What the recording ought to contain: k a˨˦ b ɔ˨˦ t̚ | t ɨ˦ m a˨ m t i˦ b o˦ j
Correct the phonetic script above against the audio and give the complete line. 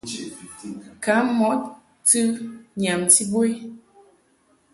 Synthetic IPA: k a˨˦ m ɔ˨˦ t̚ | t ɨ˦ ɲ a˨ m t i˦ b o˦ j